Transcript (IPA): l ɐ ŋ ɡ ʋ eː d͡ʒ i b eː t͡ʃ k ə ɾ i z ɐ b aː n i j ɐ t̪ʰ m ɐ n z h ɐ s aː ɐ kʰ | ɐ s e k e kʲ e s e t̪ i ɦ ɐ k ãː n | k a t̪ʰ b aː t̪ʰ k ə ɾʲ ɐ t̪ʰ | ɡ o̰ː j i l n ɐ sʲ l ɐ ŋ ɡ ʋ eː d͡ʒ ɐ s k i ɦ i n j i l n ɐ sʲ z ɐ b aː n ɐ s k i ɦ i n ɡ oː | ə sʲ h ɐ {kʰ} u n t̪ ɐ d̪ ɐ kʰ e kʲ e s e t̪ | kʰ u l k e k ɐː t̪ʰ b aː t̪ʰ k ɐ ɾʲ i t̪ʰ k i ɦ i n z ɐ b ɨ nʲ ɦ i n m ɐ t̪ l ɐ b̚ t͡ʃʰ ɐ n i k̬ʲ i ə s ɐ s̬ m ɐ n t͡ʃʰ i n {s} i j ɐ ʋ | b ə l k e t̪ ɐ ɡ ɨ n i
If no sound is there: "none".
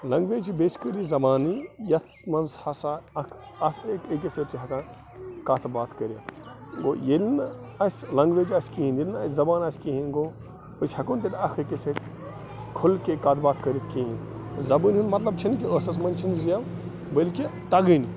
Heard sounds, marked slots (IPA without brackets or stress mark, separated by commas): k, z